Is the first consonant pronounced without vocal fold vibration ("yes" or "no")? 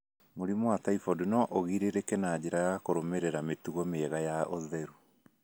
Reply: no